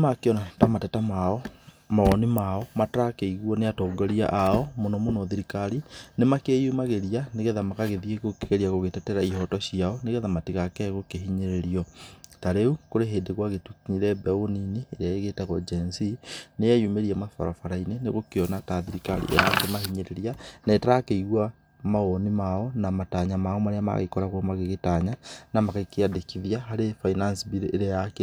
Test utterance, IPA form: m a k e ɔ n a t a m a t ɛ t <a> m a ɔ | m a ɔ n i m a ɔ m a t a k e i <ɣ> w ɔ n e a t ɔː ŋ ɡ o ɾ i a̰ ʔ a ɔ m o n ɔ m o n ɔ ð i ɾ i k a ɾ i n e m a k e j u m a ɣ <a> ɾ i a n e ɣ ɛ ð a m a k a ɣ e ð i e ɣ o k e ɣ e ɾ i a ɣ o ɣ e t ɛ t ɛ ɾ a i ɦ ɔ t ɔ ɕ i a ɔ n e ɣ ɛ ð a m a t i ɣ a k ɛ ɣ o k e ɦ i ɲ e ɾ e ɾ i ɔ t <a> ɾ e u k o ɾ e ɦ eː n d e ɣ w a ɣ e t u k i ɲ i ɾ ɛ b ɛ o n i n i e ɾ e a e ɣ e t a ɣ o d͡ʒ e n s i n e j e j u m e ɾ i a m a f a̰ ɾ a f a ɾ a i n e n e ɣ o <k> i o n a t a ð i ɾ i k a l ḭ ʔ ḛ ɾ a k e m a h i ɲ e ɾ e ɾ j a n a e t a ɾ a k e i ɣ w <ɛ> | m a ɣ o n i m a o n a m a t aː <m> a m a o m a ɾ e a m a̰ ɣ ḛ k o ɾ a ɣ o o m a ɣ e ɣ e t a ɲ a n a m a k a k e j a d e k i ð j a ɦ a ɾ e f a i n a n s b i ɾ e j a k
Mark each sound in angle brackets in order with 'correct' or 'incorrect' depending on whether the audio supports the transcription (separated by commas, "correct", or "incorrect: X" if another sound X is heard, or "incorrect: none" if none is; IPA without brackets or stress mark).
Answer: correct, correct, incorrect: e, correct, correct, incorrect: a, incorrect: ɲ